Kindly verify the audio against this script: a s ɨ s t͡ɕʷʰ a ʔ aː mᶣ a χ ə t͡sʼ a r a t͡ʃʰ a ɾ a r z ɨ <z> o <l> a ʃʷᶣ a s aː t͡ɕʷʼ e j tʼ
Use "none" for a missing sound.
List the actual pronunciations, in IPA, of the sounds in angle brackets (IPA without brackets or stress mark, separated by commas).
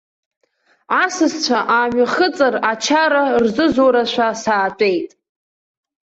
z, ɾ